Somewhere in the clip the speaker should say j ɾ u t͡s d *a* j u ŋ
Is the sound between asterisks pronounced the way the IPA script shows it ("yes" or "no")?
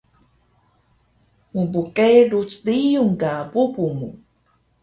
no